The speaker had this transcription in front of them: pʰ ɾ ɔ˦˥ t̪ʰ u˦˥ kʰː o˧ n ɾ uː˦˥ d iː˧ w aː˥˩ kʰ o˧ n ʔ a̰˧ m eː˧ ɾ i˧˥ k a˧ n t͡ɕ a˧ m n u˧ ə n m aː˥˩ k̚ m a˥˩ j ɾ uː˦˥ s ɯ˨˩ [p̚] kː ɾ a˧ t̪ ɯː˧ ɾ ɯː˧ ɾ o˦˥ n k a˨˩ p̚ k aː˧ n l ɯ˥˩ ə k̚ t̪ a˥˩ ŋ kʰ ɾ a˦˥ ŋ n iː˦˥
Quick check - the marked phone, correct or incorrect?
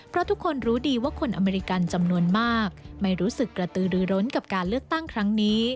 incorrect